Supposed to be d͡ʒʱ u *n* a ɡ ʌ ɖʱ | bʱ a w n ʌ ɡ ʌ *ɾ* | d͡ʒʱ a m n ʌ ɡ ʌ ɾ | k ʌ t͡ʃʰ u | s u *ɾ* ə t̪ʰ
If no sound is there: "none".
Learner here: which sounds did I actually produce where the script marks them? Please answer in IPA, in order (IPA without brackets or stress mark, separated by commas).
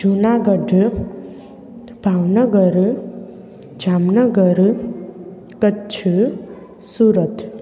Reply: n, ɾ, ɾ